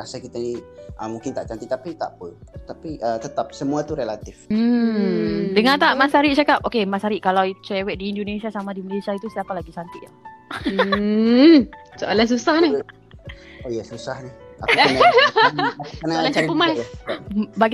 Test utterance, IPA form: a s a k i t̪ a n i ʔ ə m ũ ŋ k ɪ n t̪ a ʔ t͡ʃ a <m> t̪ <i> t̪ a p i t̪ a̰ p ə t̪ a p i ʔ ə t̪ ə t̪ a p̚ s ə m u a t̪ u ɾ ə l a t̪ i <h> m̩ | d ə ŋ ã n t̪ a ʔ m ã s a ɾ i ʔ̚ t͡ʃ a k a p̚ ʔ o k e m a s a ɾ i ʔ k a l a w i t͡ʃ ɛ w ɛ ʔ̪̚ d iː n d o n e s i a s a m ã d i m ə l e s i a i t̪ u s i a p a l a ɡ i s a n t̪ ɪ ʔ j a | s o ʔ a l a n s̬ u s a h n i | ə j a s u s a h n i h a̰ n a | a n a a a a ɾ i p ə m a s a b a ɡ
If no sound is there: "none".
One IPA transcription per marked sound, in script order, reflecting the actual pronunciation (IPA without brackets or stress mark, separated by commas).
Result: n, i, f